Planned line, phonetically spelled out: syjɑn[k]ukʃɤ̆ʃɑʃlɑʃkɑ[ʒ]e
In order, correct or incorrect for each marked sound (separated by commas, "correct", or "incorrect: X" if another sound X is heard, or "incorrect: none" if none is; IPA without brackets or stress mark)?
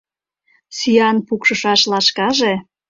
incorrect: p, correct